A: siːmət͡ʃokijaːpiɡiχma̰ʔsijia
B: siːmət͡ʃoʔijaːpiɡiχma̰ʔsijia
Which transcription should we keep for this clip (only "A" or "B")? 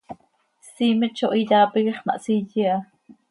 B